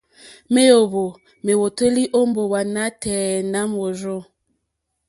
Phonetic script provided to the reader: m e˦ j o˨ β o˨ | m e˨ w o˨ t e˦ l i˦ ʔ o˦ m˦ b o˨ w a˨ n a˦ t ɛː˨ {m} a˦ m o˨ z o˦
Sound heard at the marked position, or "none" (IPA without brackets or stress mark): n